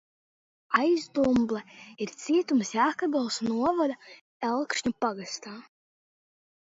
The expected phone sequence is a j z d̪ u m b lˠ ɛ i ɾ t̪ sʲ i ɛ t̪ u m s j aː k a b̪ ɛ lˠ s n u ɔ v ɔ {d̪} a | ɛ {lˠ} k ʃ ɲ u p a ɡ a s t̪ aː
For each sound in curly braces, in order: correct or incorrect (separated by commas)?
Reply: correct, correct